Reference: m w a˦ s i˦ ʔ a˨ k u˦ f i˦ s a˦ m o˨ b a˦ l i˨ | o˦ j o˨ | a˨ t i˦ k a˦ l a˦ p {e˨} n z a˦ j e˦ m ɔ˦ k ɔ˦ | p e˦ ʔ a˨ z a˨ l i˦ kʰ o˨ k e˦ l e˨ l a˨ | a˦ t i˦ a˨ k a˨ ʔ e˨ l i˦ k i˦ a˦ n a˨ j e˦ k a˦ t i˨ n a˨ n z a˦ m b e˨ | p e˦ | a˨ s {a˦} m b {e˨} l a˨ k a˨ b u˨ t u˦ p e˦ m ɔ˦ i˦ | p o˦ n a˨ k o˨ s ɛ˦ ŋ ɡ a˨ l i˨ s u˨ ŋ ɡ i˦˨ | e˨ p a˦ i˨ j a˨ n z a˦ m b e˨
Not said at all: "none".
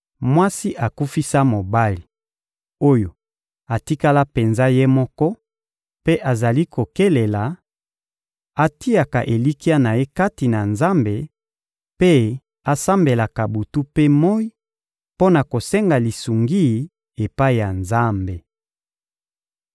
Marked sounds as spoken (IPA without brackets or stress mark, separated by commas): e˨, a˦, e˨